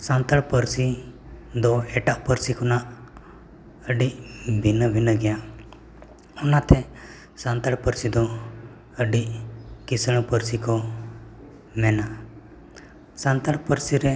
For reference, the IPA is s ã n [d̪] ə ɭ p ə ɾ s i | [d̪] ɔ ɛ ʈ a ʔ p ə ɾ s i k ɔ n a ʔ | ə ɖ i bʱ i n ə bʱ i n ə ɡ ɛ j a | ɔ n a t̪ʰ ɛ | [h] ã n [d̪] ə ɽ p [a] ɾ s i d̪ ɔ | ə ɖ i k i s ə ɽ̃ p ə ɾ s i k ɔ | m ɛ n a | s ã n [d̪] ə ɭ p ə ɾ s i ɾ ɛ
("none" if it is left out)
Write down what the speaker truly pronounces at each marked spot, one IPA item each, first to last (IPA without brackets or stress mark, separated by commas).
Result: t̪, d̪, s, t̪, ə, t̪